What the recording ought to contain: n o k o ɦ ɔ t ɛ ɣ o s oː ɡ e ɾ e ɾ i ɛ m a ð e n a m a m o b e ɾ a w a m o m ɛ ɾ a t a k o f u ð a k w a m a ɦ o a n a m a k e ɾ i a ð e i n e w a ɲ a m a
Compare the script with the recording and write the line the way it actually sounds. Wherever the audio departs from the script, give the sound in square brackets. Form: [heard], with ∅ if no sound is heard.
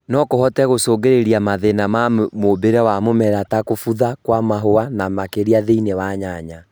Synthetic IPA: n [ɔ] k o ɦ ɔ t ɛ ɣ o s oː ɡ e ɾ e ɾ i [a] m a ð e n a m a m o b e ɾ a w a m o m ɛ ɾ a t a k o f u ð a k w a m a ɦ o a n a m a k e ɾ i a ð e i n e w a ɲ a [ɲ] a